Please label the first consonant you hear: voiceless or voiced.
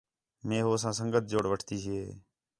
voiced